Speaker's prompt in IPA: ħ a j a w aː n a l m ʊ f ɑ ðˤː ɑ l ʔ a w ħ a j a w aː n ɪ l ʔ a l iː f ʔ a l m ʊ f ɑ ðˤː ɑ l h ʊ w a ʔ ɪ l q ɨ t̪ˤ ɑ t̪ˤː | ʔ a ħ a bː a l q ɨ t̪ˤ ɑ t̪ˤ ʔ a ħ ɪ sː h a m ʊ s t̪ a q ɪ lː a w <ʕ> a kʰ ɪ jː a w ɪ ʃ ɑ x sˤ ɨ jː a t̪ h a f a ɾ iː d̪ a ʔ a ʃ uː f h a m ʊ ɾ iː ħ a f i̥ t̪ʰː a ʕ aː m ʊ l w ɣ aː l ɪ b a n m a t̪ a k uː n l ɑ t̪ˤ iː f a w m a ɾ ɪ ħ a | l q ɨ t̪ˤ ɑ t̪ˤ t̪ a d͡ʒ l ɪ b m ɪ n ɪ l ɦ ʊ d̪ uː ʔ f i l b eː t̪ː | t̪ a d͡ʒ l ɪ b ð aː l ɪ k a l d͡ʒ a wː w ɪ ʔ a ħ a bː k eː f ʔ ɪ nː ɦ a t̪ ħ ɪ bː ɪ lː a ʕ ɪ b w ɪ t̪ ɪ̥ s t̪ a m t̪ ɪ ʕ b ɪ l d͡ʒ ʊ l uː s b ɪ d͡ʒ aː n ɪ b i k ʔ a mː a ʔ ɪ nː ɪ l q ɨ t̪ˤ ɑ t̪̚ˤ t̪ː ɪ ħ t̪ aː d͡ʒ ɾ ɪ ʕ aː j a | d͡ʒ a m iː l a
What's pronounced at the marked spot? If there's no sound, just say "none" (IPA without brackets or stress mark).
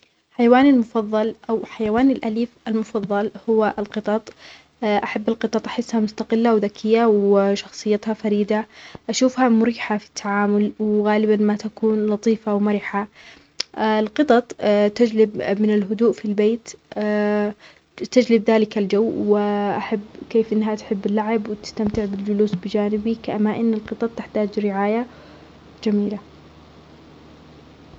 ð